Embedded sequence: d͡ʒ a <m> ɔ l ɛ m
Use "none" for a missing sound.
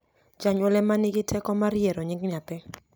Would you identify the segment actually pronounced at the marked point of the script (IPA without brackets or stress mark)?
ɲ